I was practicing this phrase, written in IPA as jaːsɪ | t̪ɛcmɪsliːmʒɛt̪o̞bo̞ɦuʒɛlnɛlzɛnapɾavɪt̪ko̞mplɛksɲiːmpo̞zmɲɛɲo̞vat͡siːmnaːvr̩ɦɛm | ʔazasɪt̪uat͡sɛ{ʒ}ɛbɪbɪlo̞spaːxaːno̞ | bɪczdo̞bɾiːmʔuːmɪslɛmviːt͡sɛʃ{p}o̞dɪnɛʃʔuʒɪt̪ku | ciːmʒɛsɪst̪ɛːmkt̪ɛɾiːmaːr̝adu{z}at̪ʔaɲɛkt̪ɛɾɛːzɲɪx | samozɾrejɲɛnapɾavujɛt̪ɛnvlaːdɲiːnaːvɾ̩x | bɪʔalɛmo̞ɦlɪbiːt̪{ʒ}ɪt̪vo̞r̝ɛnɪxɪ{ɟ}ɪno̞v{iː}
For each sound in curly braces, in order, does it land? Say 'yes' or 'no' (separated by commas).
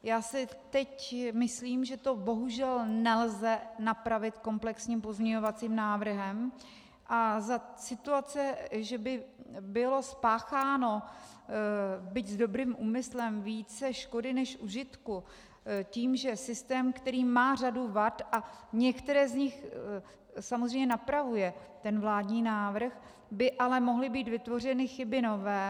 yes, no, no, no, no, no